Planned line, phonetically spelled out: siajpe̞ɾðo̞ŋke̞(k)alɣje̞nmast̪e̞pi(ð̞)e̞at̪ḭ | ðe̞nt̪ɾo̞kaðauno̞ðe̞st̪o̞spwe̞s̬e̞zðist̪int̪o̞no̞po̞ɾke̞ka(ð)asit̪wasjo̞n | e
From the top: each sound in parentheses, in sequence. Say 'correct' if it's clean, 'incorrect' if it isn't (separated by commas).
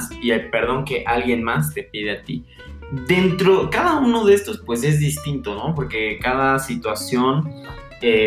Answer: incorrect, correct, correct